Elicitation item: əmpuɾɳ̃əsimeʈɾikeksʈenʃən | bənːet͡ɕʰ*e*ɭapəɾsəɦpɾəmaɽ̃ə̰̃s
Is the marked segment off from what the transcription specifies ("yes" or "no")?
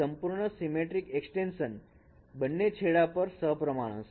no